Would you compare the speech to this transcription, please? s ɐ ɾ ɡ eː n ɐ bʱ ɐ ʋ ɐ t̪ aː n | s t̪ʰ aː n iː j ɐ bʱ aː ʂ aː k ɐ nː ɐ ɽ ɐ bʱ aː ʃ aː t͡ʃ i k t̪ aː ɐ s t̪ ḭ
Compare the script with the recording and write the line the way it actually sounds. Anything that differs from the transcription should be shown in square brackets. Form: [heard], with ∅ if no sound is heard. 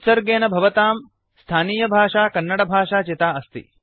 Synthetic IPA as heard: s ɐ ɾ ɡ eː n ɐ bʱ ɐ ʋ ɐ t̪ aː [m] | s t̪ʰ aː n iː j ɐ bʱ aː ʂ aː k ɐ nː ɐ ɽ ɐ bʱ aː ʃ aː t͡ʃ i [∅] t̪ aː ɐ s t̪ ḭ